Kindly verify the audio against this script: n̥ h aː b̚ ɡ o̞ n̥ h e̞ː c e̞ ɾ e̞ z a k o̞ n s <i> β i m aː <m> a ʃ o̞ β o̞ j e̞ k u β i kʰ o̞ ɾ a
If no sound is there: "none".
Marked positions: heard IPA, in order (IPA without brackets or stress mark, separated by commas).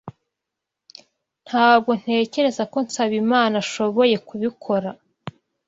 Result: a, n